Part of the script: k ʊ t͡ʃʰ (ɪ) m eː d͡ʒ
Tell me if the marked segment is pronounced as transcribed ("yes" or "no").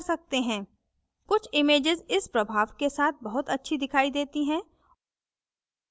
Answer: yes